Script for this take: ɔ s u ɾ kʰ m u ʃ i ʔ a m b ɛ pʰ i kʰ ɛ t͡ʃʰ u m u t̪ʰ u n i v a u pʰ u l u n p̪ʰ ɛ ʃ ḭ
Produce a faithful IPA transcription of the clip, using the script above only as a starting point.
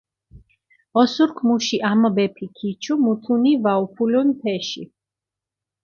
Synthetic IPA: ɔ s u ɾ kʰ m u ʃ i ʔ a m b ɛ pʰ i kʰ i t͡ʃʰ u m u t̪ʰ u n i v a u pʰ u l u n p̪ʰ ɛ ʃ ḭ